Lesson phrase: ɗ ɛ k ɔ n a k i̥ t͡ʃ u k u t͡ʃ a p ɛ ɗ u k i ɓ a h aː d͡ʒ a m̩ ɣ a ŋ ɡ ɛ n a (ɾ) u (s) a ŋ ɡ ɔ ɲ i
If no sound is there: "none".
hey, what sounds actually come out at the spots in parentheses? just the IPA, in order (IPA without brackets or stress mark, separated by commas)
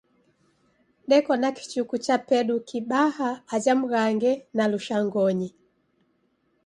l, ʃ